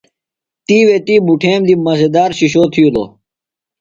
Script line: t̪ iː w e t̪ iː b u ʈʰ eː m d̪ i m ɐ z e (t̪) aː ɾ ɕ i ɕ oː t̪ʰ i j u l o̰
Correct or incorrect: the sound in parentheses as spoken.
incorrect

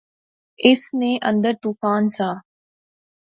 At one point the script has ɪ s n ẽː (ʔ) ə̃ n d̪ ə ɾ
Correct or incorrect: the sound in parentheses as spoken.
correct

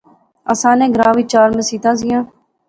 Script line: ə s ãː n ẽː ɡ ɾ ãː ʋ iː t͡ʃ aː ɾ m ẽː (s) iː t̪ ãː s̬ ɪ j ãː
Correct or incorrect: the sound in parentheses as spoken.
correct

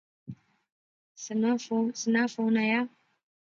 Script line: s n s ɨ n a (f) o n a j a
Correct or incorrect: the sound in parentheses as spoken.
correct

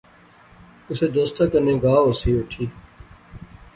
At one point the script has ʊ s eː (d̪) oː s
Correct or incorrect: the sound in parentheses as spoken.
correct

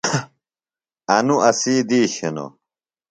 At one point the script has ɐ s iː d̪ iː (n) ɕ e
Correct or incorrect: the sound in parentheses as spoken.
incorrect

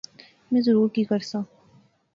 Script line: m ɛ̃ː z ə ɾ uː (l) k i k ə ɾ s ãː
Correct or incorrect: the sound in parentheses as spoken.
incorrect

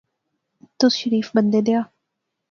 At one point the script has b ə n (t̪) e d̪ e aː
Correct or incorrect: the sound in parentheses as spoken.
incorrect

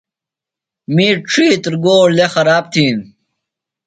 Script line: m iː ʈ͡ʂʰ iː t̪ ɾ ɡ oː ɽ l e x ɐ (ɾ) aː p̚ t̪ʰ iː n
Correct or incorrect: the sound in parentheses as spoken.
correct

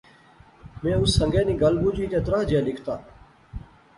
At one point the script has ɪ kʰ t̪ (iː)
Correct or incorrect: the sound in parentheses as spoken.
incorrect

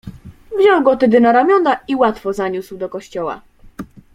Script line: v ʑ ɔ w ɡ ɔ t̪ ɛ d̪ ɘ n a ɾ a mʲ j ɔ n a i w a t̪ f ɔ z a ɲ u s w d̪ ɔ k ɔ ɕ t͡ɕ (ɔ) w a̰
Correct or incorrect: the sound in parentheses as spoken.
correct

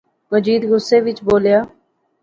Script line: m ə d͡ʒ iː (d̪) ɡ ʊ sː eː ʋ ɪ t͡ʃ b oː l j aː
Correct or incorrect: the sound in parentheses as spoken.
correct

